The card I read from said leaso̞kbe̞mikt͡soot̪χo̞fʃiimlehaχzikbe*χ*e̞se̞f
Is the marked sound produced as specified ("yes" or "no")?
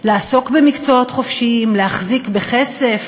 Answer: yes